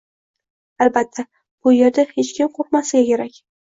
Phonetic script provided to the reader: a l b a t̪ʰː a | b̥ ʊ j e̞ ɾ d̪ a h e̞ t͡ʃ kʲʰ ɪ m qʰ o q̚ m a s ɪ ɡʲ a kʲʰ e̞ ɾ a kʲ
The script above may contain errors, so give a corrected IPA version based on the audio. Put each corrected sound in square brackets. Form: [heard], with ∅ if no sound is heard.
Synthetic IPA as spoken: a l b a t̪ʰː a | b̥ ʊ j e̞ ɾ d̪ a h e̞ t͡ʃ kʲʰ ɪ m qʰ o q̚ m a s ɪ ɡʲ a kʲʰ e̞ ɾ a kʲ